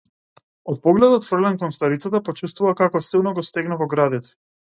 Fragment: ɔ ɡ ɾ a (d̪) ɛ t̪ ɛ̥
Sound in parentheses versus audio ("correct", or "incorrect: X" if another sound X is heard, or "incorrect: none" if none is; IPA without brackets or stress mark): correct